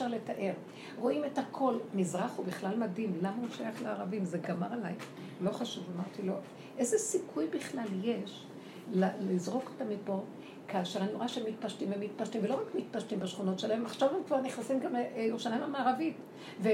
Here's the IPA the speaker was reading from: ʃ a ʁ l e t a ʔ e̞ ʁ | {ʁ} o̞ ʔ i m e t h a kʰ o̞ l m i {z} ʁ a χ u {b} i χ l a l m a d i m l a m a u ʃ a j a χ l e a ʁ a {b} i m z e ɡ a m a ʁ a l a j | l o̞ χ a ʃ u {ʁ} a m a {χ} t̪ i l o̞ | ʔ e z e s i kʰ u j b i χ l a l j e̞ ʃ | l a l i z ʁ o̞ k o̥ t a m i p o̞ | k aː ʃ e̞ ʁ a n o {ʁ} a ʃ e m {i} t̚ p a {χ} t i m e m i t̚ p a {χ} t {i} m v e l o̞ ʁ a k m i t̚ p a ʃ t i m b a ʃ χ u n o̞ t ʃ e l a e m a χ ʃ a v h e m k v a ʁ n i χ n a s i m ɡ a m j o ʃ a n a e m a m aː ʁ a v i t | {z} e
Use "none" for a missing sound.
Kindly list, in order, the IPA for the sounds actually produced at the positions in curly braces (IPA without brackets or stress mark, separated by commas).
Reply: ʁ, z, b, v, v, ʁ, ʁ, i, ʃ, ʃ, i, v